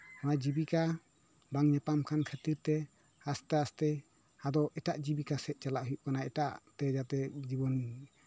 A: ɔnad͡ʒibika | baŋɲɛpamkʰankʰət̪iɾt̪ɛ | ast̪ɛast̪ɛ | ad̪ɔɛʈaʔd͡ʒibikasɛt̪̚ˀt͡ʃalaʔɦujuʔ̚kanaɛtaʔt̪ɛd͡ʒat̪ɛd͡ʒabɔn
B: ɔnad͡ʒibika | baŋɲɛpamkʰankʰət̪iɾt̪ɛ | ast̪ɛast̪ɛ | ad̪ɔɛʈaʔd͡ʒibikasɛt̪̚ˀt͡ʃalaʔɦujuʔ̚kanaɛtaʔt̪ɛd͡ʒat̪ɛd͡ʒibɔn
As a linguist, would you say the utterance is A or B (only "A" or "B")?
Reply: B